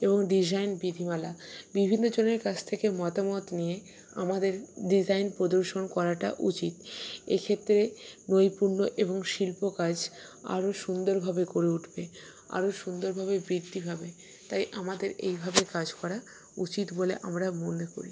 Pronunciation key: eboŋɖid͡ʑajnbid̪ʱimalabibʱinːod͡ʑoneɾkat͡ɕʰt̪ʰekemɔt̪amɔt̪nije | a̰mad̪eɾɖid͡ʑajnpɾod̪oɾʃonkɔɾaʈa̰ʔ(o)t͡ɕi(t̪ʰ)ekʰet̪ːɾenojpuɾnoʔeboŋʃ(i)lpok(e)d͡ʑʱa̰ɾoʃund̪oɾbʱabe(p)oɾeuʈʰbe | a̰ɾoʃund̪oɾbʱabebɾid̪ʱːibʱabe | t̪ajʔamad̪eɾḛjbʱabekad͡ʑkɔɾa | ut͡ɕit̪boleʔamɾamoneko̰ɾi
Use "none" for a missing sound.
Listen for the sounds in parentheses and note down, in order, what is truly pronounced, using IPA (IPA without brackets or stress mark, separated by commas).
u, t̪, i, a, k